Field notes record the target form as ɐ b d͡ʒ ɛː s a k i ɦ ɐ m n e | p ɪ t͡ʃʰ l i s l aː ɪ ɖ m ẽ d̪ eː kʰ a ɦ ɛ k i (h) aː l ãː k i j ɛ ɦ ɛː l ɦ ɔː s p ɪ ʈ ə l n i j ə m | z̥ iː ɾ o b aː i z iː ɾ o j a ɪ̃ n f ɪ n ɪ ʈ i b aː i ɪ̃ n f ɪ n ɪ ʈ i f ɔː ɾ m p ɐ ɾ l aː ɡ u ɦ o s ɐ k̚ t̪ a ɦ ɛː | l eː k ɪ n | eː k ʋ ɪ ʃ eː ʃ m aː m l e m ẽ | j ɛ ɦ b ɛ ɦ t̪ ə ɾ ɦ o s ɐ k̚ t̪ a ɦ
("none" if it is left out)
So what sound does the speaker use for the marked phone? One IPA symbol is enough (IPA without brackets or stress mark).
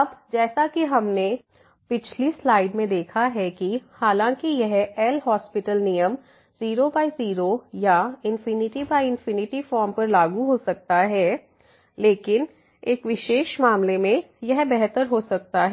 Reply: h